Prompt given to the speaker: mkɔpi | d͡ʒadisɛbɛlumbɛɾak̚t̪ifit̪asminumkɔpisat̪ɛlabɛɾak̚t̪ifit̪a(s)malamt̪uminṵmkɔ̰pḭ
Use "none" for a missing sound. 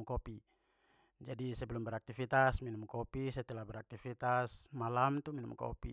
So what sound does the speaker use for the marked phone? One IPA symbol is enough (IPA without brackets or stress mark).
s